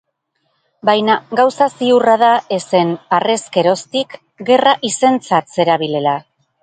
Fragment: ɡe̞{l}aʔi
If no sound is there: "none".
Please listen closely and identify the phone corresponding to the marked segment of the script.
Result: r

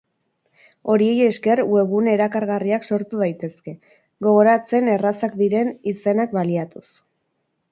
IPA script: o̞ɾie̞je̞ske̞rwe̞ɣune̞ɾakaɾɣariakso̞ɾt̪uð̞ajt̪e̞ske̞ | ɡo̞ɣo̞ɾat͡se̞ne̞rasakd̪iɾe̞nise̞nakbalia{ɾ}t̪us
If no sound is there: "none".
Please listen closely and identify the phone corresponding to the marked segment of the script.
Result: none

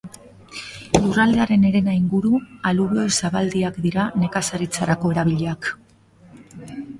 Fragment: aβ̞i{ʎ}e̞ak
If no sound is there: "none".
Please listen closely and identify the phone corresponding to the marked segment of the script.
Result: ʎ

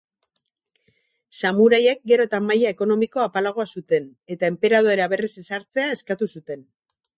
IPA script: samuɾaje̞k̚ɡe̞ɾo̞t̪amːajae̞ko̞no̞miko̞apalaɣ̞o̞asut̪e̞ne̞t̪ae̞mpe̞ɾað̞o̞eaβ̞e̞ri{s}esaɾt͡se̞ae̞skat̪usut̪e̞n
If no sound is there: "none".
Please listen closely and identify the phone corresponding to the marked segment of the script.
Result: s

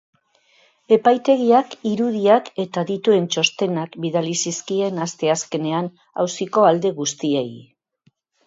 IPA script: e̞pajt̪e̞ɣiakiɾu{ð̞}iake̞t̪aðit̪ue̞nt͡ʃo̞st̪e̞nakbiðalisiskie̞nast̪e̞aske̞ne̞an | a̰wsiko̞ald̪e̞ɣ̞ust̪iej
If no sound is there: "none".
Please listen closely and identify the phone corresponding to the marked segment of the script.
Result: ð̞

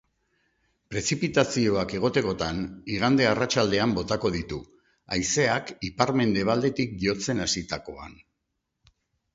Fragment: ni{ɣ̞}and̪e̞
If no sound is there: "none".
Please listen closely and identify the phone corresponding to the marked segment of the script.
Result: ɣ̞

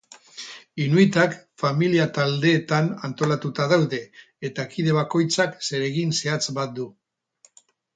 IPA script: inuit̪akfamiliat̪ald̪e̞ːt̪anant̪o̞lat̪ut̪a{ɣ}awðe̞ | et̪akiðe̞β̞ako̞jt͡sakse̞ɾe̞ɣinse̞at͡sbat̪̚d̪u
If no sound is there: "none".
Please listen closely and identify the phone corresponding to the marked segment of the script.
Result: ð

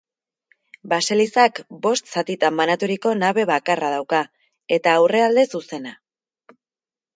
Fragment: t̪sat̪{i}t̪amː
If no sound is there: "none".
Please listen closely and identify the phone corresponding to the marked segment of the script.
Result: i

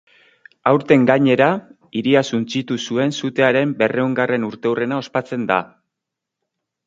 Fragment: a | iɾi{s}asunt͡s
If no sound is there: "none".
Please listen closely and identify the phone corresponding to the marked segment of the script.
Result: none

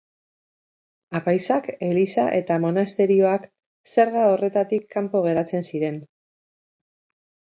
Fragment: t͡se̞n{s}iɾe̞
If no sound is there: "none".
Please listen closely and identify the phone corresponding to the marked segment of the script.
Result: s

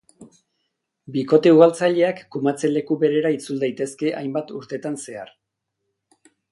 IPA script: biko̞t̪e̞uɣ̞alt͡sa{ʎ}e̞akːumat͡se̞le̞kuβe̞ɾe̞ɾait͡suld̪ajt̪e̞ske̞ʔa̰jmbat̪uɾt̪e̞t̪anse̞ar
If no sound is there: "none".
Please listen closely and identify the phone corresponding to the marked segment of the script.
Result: ʎ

